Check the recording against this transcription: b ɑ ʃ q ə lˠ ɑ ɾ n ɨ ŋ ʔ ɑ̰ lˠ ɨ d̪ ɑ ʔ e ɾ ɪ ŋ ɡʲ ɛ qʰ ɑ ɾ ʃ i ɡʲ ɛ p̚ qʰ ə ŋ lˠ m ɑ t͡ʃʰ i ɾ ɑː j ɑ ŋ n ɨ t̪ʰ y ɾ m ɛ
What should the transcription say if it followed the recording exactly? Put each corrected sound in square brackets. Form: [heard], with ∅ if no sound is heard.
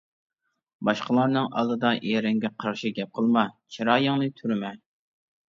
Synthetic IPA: b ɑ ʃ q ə lˠ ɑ ɾ n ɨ ŋ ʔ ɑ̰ lˠ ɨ d̪ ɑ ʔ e ɾ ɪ ŋ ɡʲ ɛ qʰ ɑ ɾ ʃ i ɡʲ ɛ p̚ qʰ ə [∅] lˠ m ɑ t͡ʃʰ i ɾ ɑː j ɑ ŋ n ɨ t̪ʰ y ɾ m ɛ